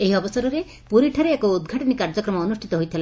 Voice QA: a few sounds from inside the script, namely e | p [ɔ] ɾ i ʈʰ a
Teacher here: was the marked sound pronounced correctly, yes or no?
no